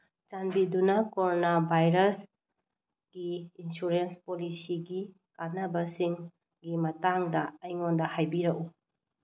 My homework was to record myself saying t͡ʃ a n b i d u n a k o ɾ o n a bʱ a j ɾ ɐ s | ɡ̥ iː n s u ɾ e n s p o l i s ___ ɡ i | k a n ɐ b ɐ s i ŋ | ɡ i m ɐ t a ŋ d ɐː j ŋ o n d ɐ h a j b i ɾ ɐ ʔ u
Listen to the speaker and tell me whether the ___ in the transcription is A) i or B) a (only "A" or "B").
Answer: A